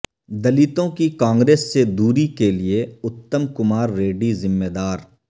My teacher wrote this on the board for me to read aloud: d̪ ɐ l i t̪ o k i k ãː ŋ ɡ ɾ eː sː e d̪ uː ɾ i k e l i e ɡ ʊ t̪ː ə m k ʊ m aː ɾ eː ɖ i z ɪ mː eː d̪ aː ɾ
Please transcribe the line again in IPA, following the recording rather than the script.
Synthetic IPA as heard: d̪ ɐ l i t̪ õ k i k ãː ŋ ɡ ɾ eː sː e d̪ uː ɾ i k e l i e ʊ t̪ː ə m k ʊ m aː ɾː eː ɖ i z ɪ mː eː d̪ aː ɾ